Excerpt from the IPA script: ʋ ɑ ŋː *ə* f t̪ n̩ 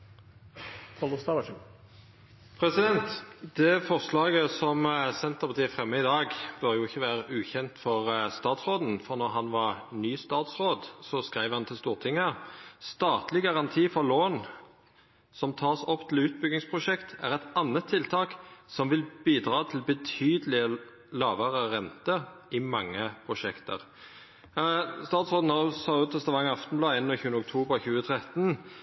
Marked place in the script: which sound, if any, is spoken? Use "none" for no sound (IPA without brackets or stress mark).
ɑ